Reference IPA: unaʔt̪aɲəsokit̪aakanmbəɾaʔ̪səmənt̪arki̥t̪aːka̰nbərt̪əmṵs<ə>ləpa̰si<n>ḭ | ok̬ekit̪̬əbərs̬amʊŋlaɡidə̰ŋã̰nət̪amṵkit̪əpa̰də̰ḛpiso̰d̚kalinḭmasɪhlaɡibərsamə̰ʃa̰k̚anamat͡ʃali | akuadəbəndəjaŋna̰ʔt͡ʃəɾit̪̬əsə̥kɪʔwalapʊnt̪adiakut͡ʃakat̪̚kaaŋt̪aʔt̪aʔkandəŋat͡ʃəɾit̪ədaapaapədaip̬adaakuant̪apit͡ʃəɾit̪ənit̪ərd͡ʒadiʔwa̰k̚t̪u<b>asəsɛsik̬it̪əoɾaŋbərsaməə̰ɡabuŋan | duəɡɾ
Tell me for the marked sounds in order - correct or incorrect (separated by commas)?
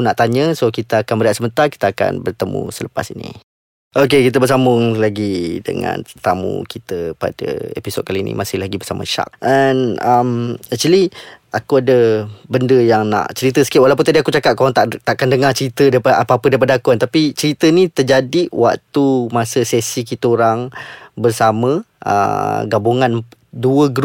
correct, correct, incorrect